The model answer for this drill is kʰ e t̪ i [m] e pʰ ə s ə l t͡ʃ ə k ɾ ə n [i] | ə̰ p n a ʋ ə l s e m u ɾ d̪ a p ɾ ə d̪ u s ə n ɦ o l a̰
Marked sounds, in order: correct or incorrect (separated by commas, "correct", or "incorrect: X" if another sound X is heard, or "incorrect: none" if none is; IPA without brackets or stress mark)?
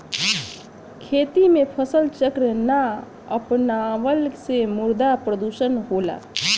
correct, incorrect: a